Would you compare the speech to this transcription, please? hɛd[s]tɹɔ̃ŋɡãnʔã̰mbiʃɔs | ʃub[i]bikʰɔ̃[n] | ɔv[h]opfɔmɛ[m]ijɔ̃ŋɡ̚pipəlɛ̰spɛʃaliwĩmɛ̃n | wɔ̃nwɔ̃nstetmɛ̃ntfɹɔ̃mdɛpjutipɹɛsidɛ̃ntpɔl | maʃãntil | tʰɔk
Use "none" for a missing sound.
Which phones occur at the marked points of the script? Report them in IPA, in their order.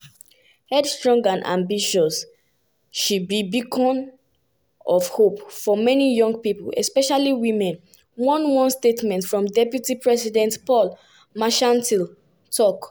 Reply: s, i, n, h, n

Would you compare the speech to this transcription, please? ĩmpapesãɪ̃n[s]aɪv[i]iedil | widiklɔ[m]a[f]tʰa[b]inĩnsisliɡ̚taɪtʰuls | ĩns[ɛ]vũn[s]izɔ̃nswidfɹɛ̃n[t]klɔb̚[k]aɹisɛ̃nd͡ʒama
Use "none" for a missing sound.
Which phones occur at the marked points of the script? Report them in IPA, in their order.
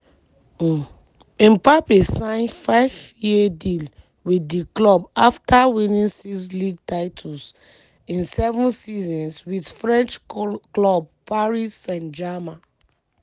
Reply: f, j, b, f, w, ɛ, s, t͡ʃ, p

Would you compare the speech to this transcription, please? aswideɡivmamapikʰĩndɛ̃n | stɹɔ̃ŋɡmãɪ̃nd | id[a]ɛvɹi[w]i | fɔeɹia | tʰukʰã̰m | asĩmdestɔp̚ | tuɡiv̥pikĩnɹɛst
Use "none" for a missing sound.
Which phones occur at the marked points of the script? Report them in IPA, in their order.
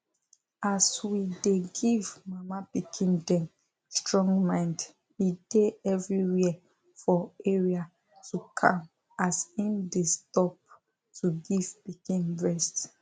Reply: e, w

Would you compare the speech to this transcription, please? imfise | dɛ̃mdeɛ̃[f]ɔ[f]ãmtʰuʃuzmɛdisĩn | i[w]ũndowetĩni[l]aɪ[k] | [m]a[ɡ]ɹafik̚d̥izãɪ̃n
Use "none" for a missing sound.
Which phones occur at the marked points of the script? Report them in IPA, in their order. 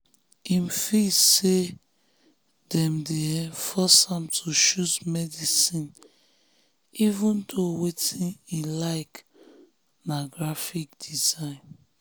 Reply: f, s, v, l, k, n, ɡ

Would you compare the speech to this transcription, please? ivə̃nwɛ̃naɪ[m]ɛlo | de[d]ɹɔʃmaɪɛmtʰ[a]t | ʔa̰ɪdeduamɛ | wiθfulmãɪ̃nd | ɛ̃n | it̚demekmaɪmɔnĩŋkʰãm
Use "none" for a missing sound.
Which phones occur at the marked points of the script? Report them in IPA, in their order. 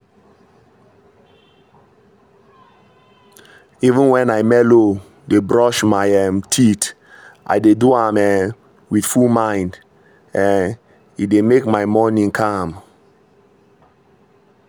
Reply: m, b, i

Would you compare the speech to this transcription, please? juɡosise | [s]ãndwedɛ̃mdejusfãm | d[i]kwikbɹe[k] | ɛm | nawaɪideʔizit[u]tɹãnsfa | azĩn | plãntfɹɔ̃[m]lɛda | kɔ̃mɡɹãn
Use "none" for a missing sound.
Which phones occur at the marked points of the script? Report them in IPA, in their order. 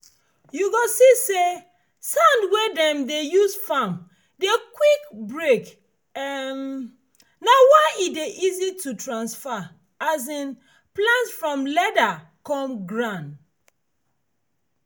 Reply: s, e, k, u, m

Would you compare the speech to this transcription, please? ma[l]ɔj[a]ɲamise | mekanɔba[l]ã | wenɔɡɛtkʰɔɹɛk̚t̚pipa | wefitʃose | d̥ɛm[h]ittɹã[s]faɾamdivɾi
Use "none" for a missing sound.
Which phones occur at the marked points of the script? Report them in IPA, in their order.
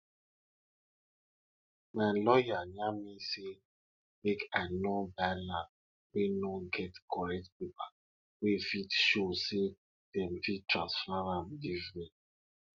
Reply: l, a, l, f, s

